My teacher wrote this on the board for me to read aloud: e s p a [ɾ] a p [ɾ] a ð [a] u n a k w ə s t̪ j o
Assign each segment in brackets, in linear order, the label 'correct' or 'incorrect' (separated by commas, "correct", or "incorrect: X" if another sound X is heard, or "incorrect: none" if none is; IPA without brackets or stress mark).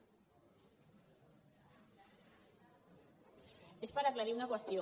correct, incorrect: l, incorrect: i